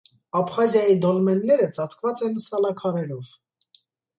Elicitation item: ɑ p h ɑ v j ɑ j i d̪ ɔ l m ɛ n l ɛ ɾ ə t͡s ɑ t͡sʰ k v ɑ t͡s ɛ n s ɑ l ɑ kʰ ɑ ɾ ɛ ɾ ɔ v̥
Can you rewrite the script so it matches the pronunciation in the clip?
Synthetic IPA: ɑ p χ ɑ z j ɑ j i d̪ ɔ l m ɛ n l ɛ ɾ ə t͡s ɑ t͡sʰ k v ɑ t͡s ɛ n s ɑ l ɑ kʰ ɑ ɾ ɛ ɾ ɔ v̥